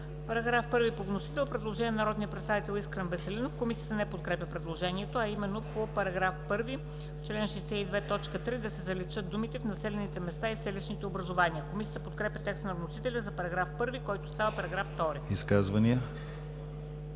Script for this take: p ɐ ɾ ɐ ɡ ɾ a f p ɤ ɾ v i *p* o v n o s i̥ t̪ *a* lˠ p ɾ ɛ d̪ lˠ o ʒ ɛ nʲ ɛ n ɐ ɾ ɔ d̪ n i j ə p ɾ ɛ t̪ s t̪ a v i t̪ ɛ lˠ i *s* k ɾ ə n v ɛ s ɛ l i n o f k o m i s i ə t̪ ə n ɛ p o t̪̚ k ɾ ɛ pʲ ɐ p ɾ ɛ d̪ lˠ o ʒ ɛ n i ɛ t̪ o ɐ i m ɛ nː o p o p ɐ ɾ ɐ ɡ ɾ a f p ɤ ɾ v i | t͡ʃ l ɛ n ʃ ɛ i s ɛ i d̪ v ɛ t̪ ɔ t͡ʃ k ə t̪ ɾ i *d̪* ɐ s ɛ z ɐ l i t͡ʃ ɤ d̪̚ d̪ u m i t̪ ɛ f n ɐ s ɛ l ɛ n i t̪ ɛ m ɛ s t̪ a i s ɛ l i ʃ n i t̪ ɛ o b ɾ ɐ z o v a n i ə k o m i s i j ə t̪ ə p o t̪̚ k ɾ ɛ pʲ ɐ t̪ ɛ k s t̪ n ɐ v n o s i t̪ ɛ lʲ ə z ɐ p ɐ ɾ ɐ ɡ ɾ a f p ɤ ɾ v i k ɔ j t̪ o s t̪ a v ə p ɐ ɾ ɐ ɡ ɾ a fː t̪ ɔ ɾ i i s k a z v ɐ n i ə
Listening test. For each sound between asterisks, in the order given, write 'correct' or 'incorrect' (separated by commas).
correct, incorrect, correct, correct